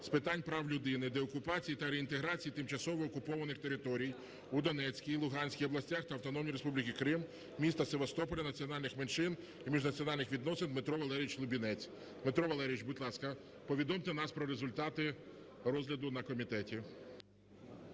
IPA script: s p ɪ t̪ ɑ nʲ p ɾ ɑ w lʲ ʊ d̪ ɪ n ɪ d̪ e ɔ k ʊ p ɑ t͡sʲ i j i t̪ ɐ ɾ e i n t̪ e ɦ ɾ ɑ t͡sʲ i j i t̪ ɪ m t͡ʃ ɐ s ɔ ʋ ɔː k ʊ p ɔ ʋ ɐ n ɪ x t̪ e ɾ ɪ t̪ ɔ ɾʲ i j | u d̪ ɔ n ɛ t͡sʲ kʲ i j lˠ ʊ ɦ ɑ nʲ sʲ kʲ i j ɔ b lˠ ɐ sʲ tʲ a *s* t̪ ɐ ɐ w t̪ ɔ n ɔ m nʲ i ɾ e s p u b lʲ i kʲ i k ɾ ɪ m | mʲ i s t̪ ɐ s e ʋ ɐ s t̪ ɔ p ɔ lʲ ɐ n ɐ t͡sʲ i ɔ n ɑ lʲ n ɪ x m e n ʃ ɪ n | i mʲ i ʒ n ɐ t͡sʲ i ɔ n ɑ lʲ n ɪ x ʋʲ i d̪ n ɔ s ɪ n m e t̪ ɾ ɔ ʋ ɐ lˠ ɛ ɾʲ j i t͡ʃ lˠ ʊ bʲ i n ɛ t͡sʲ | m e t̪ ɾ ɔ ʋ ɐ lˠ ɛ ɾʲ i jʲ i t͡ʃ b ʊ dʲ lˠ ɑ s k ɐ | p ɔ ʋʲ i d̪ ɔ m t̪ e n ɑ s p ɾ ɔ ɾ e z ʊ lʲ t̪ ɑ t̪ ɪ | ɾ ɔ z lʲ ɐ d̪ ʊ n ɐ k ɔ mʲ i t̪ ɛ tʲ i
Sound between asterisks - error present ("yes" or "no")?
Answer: yes